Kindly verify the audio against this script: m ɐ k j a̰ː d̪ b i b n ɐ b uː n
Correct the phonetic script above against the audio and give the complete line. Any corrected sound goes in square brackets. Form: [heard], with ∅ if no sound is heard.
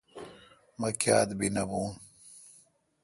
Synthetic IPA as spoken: m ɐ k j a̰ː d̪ b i [∅] n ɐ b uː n